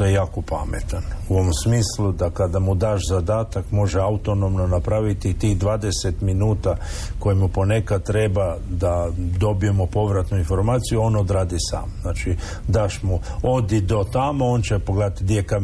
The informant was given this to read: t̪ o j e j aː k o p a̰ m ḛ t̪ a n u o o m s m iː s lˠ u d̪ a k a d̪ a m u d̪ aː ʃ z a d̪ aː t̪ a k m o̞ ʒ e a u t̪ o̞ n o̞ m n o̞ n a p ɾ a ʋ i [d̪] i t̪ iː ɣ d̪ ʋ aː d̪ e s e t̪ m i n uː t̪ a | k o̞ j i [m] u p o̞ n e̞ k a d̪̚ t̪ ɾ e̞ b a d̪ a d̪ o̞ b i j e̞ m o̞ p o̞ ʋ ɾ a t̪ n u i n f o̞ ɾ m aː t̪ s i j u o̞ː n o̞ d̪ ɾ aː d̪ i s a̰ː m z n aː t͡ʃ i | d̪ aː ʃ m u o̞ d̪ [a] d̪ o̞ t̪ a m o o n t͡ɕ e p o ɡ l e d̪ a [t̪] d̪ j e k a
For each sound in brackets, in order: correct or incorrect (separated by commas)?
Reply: incorrect, correct, incorrect, correct